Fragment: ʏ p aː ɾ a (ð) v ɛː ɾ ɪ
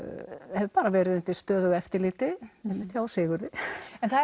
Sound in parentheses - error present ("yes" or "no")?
yes